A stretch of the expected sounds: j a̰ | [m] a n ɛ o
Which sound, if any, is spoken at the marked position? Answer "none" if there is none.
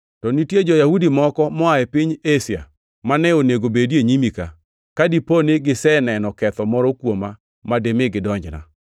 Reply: m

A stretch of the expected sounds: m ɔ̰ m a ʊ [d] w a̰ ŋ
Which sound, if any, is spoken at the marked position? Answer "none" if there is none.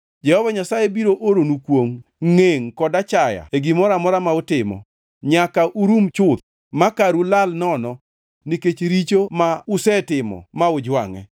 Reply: d͡ʒ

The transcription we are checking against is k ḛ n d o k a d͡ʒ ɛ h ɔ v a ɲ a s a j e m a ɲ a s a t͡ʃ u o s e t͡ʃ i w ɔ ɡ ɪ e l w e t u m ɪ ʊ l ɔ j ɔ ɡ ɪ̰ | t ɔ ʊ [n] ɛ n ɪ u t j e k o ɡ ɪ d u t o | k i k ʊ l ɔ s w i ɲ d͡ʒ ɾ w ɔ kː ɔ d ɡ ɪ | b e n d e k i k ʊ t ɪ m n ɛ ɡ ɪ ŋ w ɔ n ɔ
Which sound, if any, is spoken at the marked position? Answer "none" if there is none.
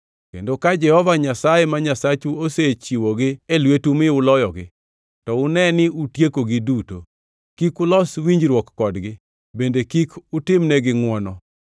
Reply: n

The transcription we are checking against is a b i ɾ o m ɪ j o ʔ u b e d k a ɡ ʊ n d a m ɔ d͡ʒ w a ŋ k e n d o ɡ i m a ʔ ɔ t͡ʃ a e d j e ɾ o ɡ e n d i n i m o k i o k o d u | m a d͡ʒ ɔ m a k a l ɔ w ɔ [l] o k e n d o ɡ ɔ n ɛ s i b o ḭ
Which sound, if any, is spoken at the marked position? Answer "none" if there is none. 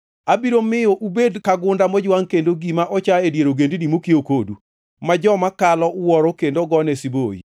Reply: ɾ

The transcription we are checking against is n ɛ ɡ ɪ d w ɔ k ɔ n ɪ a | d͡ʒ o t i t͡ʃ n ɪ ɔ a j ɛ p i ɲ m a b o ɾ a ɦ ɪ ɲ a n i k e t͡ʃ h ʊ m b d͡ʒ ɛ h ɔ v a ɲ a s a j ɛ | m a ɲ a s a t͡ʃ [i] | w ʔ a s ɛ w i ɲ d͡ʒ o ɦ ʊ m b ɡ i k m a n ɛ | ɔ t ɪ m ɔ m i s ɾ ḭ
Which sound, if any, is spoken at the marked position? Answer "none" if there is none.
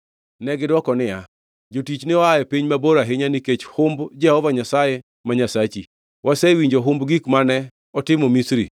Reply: i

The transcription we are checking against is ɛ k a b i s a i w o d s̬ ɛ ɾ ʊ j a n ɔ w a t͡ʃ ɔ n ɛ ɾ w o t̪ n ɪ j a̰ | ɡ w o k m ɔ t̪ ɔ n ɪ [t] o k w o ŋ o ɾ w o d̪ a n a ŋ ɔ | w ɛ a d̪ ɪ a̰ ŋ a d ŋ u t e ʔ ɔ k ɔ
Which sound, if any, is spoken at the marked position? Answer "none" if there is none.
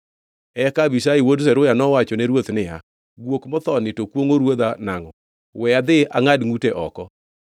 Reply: t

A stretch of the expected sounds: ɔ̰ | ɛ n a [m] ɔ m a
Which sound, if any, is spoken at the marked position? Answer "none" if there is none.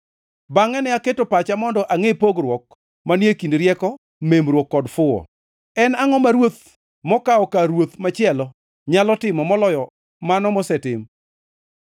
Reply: ŋ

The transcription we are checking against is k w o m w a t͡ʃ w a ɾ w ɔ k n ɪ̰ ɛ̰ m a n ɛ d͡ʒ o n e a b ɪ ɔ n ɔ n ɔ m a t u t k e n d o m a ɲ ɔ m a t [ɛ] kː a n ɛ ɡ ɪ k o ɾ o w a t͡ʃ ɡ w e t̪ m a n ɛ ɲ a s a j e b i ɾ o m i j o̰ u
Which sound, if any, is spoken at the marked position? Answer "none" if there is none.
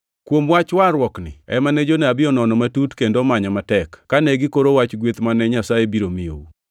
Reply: ɛ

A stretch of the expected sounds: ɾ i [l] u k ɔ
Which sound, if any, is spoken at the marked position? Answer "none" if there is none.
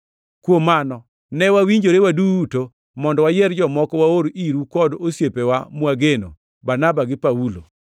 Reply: ɾ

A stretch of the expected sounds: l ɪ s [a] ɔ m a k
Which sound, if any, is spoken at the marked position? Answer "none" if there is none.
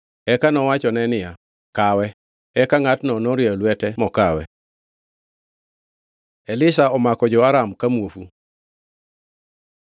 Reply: a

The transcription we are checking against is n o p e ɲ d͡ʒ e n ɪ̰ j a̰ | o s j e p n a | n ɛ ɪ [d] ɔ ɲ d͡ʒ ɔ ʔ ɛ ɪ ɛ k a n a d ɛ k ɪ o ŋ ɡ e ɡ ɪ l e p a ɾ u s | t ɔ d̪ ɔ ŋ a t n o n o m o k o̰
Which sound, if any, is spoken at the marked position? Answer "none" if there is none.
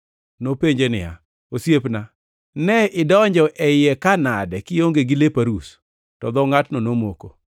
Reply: d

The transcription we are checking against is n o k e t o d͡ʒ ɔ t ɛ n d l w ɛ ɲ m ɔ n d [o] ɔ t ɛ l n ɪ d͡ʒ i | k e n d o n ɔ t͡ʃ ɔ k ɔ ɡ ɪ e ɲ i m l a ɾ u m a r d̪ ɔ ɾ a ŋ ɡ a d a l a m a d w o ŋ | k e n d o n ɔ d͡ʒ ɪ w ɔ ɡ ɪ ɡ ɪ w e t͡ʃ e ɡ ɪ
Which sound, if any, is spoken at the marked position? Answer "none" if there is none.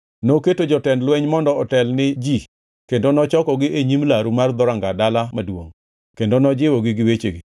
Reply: ɔ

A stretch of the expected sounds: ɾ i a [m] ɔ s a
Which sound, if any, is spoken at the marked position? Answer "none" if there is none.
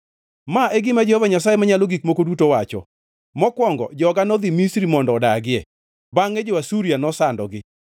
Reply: n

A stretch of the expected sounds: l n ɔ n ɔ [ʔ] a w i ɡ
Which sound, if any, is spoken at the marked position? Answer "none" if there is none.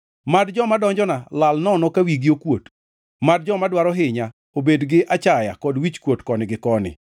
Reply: k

